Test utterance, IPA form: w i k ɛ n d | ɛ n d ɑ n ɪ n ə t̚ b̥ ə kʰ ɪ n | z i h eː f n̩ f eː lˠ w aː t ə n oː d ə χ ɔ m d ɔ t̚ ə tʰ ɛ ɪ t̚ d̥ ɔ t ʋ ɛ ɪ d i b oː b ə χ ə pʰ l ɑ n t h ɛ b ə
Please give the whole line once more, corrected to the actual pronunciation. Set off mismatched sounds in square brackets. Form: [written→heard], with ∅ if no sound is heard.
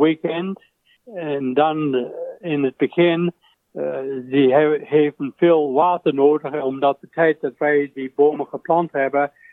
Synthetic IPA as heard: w i k ɛ n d | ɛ n d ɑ n ɪ n ə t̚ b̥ ə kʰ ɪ n | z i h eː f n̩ f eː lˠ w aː t ə n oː d ə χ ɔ m d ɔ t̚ ə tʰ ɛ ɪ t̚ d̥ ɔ t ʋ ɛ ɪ d i b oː [b→m] ə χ ə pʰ l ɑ n t h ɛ b ə